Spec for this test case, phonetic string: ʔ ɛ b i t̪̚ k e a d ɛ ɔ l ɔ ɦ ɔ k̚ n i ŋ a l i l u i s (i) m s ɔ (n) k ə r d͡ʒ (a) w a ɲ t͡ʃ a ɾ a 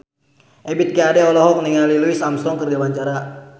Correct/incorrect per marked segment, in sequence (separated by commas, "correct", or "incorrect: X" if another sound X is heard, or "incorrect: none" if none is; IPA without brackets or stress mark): incorrect: a, incorrect: ŋ, correct